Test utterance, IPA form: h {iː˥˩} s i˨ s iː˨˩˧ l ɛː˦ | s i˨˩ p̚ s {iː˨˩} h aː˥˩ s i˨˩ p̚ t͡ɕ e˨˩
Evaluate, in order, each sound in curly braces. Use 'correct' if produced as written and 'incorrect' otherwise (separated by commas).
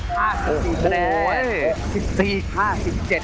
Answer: incorrect, correct